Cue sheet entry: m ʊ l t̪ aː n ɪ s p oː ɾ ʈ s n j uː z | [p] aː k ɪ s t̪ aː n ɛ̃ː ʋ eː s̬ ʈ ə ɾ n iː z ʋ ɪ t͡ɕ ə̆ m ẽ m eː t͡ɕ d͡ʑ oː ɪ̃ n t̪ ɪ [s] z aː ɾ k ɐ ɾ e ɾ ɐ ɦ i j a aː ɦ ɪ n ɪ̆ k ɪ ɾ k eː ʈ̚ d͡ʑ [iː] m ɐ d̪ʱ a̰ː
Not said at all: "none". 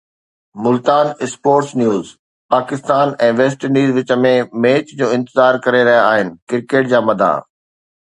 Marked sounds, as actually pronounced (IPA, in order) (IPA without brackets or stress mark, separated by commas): p, none, aː